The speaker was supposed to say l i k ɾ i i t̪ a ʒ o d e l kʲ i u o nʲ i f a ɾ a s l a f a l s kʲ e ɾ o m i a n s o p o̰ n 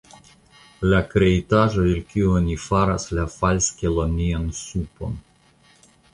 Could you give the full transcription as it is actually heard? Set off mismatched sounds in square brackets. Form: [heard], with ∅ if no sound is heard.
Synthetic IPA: l [a] k ɾ [e] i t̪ a ʒ o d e l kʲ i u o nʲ i f a ɾ a s l a f a l s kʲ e [l] o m i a n s [u] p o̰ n